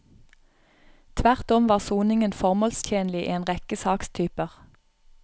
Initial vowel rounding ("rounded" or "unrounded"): unrounded